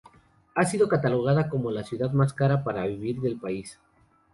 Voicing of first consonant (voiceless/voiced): voiceless